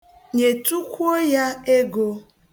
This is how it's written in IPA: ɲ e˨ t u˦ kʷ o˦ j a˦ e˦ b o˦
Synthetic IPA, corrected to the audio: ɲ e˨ t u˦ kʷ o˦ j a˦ e˦ ɡ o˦